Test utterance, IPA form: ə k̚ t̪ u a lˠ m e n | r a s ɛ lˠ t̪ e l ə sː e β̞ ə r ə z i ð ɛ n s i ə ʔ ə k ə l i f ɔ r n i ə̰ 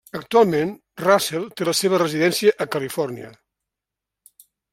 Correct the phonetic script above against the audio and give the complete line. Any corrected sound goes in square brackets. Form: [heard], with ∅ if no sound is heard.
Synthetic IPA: ə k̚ t̪ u a lˠ m e n | r a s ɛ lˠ t̪ e l ə [s] e β̞ ə r ə z i ð ɛ n s i ə ʔ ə k ə l i f ɔ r n i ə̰